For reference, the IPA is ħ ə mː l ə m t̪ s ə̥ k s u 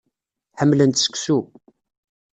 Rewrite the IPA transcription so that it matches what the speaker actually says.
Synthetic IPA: ħ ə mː l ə n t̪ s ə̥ k s u